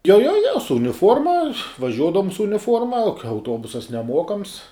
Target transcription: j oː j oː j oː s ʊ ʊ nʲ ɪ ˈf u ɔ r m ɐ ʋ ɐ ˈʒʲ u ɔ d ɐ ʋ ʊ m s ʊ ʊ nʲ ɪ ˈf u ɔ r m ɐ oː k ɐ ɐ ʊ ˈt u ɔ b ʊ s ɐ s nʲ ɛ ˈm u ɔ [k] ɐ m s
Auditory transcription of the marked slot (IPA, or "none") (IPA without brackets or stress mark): k